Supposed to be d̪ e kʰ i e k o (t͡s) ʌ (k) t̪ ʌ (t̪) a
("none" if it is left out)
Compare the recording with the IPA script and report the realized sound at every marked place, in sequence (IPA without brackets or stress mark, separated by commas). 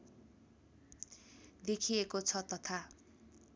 t͡sʰ, none, t̪ʰ